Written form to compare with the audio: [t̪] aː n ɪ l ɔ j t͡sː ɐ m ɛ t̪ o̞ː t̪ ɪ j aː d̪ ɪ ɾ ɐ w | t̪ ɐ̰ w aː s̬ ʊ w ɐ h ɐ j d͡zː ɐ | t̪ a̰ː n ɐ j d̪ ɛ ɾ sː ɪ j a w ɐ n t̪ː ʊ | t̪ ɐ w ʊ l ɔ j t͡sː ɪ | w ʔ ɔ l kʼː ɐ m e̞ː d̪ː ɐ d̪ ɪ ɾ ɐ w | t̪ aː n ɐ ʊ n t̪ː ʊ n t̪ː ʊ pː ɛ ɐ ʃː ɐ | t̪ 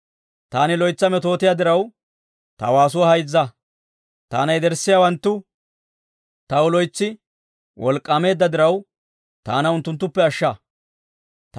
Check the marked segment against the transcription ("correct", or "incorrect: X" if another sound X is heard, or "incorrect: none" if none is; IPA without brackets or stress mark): correct